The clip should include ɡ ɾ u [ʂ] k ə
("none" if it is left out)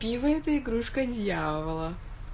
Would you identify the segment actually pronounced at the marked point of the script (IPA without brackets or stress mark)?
ʂ